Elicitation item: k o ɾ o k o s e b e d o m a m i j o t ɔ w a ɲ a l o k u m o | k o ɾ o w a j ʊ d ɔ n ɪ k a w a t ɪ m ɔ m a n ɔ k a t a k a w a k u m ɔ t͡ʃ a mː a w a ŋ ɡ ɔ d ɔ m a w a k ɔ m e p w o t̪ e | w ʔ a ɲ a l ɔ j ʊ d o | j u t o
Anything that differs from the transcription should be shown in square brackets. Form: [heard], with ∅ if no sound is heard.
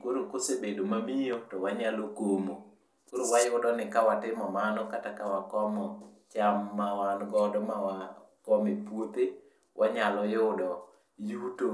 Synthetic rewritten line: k o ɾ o k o s e b e d o m a m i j o t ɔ w a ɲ a l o k [o] m o | k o ɾ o w a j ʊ d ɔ n ɪ k a w a t ɪ m ɔ m a n ɔ k a t a k a w a k [ɔ] m ɔ t͡ʃ a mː a w a [n] ɡ ɔ d ɔ m a w a k ɔ m e p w o t̪ e | w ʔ a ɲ a l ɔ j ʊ d [ɔ] | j u t o